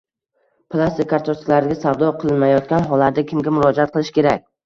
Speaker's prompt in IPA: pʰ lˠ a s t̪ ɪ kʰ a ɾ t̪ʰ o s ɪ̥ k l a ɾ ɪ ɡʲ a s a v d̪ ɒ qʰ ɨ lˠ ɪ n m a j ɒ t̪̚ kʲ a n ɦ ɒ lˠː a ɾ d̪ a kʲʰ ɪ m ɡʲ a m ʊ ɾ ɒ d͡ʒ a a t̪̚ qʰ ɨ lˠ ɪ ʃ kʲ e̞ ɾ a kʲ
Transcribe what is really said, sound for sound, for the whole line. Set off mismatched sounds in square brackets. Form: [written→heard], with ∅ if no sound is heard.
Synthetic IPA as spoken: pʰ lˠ a s t̪ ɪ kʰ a ɾ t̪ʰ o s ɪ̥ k l a ɾ ɪ ɡʲ a s a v d̪ ɒ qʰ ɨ lˠ ɪ n m a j ɒ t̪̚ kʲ a n ɦ ɒ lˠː a ɾ d̪ a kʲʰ ɪ m ɡʲ a m ʊ ɾ ɒ d͡ʒ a a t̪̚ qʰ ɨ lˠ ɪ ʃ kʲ e̞ ɾ a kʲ